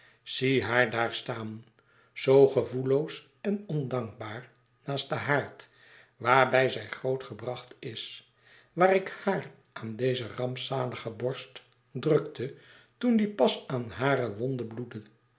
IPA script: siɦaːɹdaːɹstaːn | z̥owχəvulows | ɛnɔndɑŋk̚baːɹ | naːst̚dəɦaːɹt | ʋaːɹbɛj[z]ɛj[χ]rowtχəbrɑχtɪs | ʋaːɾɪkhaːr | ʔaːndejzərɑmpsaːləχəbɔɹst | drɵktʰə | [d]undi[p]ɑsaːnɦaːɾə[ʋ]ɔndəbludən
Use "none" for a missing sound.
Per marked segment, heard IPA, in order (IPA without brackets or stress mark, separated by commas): z, χ, t, p, ʋ